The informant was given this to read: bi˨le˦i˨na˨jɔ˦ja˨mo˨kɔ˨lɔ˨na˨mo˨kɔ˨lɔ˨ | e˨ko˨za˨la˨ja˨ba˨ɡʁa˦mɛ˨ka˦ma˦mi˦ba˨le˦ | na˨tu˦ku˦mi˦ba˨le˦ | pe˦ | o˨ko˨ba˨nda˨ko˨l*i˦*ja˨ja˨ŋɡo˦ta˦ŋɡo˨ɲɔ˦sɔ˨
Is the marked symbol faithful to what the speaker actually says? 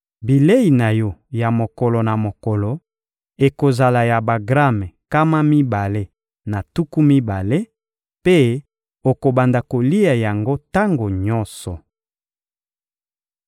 yes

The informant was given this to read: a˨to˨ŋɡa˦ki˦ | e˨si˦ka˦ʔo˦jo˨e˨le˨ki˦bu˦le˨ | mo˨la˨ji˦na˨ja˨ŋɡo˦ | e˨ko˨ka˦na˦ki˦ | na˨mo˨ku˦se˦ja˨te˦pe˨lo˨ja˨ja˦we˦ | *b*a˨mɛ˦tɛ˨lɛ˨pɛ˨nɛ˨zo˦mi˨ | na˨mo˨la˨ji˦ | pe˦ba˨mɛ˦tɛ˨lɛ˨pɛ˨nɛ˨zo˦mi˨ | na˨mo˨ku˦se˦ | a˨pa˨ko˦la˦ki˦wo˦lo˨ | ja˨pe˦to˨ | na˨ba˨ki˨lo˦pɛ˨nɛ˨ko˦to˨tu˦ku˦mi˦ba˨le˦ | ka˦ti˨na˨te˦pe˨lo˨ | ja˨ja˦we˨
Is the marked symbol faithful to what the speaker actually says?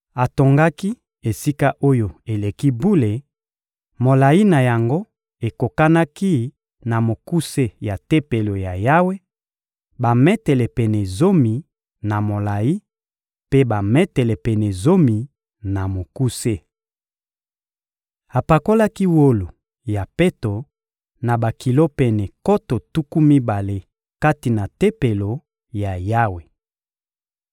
yes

